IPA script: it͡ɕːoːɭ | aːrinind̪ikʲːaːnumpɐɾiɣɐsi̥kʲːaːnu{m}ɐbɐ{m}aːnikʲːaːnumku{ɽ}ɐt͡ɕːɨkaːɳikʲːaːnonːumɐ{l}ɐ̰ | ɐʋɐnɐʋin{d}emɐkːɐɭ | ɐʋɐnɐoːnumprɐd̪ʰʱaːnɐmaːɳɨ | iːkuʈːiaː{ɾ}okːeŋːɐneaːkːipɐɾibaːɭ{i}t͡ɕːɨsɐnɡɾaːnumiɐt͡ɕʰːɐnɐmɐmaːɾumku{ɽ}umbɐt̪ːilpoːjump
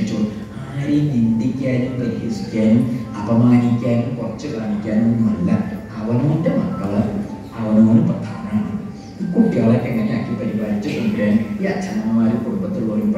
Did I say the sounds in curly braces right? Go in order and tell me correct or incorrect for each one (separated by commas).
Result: correct, correct, incorrect, incorrect, correct, incorrect, correct, correct